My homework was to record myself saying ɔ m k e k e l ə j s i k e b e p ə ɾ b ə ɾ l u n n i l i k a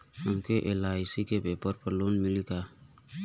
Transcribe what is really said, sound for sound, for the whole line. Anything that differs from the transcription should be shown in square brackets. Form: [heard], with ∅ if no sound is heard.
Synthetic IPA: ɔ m k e [ʔ] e l [a] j s i k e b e p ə ɾ [p] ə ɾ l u n [m] i l i k a